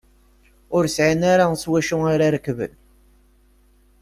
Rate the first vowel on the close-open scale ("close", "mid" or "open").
close